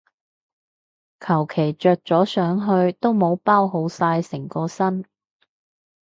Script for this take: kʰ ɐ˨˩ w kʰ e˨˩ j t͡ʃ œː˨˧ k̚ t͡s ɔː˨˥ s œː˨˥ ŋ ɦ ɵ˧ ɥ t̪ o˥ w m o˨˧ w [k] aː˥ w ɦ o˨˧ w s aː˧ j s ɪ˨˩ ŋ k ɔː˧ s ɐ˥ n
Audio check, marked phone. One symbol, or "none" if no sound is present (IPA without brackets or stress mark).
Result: p